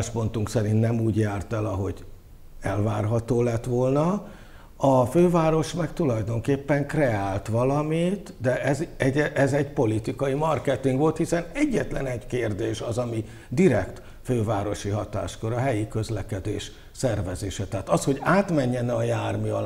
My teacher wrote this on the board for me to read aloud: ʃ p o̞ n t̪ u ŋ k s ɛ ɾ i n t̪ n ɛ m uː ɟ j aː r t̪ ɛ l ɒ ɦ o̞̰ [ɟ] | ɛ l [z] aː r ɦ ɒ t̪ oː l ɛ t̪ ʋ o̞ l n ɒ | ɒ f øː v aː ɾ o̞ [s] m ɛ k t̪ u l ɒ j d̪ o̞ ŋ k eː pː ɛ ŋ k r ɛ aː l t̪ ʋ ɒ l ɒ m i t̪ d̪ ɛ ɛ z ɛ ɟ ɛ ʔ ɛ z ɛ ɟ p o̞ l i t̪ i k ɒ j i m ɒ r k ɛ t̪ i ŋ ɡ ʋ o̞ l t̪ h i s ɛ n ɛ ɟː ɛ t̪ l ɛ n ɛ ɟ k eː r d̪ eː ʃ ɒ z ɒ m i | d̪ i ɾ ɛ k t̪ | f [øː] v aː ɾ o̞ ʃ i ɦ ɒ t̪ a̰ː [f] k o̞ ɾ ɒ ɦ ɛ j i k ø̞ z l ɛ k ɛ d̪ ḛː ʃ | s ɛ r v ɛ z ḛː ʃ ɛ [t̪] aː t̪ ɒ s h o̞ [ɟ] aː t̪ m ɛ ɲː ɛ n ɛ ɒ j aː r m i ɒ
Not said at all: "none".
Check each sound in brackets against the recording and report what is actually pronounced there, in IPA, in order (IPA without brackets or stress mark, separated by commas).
ɟ, v, ʃ, øː, ʃ, t̪, ɟ